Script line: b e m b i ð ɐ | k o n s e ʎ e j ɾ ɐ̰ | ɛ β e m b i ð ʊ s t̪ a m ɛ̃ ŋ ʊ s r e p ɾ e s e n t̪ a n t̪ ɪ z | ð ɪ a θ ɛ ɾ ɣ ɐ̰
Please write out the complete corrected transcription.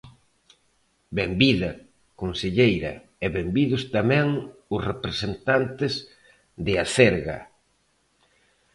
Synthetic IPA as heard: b e m b i ð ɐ | k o n s e ʎ e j ɾ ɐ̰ | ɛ β e m b i ð ʊ s t̪ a m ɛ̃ ŋ ʊ s r e p ɾ e s e n t̪ a n t̪ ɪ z | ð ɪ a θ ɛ ɾ ɣ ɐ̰